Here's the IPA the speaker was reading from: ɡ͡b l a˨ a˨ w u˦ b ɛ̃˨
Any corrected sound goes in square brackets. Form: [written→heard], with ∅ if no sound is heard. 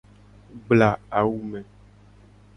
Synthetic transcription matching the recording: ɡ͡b l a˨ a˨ w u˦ [b→m] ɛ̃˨